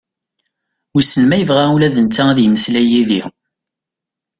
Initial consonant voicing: voiced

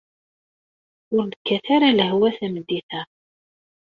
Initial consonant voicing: voiced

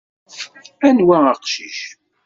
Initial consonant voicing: voiced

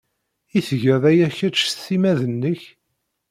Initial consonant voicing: voiceless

